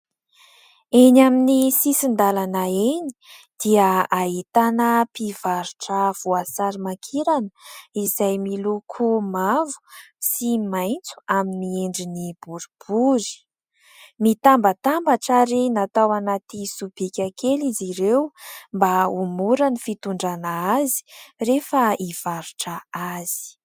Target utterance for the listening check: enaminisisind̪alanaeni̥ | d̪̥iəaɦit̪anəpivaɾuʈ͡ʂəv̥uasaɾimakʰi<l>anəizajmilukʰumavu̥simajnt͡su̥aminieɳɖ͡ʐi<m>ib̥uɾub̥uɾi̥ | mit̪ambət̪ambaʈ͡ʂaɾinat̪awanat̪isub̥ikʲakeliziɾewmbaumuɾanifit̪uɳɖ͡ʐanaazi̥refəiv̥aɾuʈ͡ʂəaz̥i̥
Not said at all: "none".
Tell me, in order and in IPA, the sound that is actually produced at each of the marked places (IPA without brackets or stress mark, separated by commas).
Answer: ɾ, n